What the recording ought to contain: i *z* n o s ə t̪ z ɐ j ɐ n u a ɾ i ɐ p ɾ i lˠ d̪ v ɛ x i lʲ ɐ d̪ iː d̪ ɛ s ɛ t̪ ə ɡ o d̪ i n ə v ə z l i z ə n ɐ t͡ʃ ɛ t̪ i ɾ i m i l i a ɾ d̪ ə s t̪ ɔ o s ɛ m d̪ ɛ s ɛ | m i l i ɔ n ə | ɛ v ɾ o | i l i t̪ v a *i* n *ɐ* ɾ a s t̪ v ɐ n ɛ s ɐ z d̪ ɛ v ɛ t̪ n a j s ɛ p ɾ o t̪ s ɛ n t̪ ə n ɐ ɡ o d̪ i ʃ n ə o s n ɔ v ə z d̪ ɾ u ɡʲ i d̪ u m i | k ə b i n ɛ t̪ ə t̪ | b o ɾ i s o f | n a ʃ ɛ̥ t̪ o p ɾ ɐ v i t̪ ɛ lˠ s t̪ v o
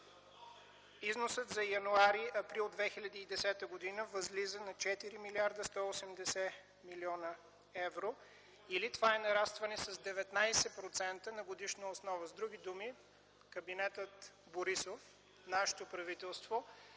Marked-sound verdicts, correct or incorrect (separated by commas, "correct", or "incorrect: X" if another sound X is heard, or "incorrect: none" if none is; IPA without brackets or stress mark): correct, incorrect: ɛ, correct